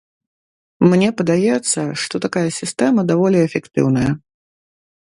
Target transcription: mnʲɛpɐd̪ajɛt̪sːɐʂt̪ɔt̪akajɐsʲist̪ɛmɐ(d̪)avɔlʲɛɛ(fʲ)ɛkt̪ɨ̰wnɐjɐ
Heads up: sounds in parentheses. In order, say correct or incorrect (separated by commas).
correct, correct